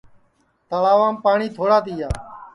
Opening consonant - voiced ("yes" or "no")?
no